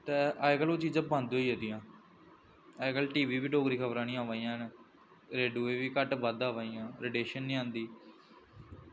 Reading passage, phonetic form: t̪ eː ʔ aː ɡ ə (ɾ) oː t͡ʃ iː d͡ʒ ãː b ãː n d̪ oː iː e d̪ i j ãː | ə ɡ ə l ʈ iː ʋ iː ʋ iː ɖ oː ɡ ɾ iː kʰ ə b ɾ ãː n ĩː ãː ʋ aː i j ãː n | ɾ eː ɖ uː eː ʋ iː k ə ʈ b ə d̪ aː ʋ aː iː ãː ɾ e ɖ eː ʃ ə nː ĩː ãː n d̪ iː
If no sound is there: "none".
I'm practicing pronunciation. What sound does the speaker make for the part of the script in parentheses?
l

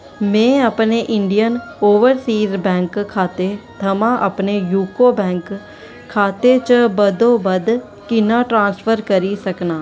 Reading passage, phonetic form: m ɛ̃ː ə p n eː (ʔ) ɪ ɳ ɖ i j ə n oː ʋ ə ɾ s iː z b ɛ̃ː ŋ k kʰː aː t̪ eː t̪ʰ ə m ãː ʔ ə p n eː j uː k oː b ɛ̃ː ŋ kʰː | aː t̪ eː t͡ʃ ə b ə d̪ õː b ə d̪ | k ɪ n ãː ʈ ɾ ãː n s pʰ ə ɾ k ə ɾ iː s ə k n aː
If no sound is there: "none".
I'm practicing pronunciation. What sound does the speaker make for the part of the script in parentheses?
ʔ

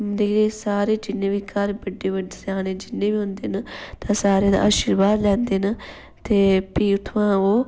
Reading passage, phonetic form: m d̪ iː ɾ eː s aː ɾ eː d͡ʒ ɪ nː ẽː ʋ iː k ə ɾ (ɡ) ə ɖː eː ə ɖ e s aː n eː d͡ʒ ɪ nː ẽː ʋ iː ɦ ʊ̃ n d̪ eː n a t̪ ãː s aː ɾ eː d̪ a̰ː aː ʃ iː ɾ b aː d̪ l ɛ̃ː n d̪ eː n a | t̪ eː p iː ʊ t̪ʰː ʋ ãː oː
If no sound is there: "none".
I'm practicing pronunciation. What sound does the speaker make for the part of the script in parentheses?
b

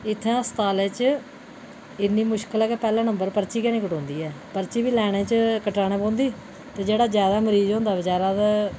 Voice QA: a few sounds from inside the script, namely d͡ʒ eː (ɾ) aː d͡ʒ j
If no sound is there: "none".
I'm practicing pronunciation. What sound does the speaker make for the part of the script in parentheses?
ɽ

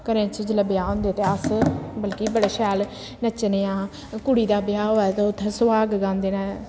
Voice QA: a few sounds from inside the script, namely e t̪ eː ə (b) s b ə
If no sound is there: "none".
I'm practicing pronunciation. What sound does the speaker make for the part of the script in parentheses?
none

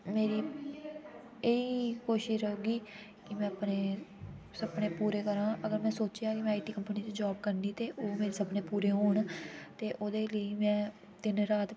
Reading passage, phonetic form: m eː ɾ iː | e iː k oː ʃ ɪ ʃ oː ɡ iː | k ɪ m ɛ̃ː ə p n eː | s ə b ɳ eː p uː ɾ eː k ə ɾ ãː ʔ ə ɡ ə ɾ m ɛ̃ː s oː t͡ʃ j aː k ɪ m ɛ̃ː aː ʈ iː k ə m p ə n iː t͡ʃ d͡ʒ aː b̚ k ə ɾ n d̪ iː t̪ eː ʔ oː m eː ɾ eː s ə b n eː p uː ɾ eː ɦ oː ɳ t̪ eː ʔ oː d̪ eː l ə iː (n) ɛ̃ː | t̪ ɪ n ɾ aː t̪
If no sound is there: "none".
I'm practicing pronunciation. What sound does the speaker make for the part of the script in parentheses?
m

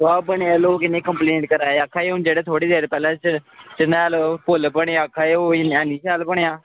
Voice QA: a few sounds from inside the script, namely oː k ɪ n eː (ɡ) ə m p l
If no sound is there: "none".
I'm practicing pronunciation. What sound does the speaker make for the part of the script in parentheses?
k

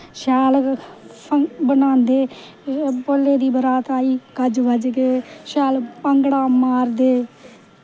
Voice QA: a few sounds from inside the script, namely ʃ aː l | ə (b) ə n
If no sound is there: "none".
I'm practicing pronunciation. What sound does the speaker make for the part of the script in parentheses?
b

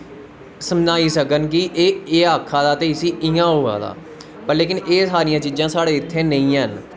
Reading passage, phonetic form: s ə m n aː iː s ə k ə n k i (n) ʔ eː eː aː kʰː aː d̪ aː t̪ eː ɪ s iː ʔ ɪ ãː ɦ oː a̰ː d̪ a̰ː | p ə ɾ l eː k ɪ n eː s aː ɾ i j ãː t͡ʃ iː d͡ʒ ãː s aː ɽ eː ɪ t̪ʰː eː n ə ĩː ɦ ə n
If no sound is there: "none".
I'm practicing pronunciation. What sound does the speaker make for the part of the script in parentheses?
none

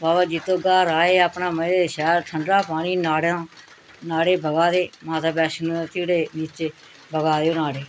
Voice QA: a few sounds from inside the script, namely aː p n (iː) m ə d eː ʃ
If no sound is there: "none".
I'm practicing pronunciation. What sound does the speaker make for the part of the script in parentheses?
aː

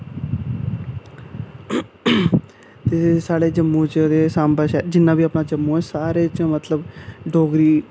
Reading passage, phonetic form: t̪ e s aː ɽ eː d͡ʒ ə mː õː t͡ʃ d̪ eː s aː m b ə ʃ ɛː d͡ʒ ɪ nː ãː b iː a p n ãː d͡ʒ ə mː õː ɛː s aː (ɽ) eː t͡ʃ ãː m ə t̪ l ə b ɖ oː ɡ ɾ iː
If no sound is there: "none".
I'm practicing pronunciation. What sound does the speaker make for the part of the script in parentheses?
ɾ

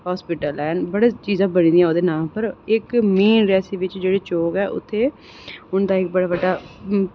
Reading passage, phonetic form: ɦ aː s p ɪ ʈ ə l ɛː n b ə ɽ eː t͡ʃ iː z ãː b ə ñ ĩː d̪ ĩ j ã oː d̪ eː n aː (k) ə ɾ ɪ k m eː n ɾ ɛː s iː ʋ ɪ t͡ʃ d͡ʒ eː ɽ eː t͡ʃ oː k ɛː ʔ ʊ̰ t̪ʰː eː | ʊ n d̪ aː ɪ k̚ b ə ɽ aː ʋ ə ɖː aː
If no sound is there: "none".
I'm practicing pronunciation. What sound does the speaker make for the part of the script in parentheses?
p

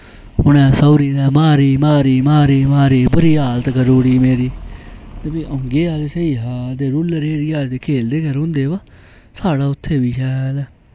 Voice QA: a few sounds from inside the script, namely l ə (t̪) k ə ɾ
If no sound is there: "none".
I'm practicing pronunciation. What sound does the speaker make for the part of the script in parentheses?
t̪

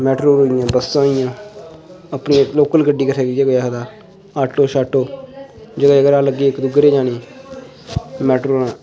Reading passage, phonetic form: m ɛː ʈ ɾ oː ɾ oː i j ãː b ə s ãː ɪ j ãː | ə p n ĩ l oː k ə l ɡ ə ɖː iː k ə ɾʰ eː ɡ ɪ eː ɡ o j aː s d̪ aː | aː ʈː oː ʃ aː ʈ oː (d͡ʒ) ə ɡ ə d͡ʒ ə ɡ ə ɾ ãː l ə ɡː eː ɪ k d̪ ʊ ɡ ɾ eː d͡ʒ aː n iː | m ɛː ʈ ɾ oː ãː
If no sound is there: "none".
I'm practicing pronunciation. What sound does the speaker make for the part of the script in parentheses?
d͡ʒ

